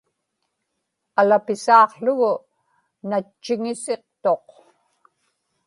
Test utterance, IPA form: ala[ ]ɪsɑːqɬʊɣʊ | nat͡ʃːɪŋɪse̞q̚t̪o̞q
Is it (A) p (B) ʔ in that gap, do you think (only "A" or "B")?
A